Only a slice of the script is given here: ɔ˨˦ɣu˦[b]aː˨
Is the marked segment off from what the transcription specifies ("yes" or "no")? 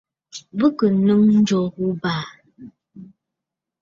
no